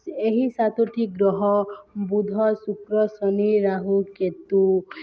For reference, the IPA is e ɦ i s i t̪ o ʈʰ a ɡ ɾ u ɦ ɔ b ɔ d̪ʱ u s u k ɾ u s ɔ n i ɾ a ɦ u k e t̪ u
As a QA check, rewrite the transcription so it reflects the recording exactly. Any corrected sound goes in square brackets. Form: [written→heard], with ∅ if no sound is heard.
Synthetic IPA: e ɦ i s [i→a] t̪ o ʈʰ [a→i] ɡ ɾ [u→ɔ] ɦ ɔ b [ɔ→u] d̪ʱ [u→ɔ] s u k ɾ [u→ɔ] s ɔ n i ɾ a ɦ u k e t̪ u